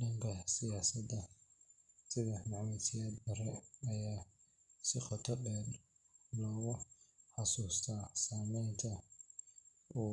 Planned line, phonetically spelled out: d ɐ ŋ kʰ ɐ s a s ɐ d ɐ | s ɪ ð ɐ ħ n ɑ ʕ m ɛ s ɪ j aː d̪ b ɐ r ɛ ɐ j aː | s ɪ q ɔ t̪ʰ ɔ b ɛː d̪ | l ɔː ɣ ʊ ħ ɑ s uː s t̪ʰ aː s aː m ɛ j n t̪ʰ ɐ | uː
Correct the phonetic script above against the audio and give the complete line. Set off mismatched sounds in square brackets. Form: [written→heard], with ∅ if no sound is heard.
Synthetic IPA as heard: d ɐ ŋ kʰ ɐ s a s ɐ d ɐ | s ɪ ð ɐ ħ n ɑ ʕ m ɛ s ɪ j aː d̪ b ɐ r ɛ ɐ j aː | s ɪ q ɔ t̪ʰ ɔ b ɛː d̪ | l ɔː ɣ ʊ ħ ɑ s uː s t̪ʰ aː s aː m ɛ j n t̪ʰ ɐ | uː